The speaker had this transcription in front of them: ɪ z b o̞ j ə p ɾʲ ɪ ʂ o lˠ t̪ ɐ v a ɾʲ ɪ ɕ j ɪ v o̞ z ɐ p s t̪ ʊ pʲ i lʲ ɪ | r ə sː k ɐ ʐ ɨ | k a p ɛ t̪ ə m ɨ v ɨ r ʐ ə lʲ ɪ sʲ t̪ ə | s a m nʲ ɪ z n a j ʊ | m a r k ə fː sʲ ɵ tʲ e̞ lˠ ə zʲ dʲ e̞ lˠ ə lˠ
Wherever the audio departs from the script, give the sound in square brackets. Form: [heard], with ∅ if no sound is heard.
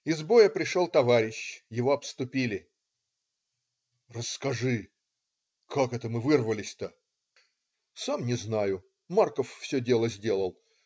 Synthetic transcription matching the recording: ɪ z b o̞ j ə p ɾʲ ɪ ʂ o lˠ t̪ ɐ v a ɾʲ ɪ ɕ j ɪ v o̞ [∅] ɐ p s t̪ ʊ pʲ i lʲ ɪ | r ə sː k ɐ ʐ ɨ | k a [k] ɛ t̪ ə m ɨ v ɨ r [v] ə lʲ ɪ sʲ t̪ ə | s a m nʲ ɪ z n a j ʊ | m a r k ə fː sʲ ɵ [dʲ] e̞ lˠ ə zʲ dʲ e̞ lˠ ə lˠ